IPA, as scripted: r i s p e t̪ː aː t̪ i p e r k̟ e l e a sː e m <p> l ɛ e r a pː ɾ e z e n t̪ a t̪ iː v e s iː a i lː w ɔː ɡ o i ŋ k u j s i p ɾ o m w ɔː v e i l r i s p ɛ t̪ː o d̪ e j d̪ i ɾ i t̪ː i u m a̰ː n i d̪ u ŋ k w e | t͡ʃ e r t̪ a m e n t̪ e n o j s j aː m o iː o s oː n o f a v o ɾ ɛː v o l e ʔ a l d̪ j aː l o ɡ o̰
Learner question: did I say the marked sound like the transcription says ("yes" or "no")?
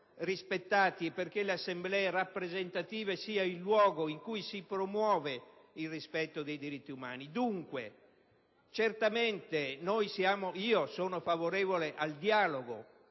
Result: no